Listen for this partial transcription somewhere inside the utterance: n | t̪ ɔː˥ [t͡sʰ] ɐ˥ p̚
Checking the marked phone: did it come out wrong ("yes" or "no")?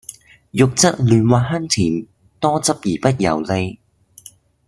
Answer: yes